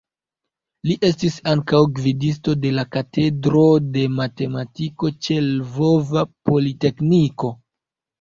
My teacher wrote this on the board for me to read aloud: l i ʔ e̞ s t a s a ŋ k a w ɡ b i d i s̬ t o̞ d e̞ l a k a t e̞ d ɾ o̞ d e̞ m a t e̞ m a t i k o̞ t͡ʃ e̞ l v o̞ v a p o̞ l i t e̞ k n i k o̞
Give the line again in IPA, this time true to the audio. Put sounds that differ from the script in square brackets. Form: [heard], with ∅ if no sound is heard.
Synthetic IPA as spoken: l i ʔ e̞ s t [i] s a ŋ k a w ɡ [v] i d i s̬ t o̞ d e̞ l a k a t e̞ d ɾ o̞ d e̞ m a t e̞ m a t i k o̞ t͡ʃ e̞ l v o̞ v a p o̞ l i t e̞ k n i k o̞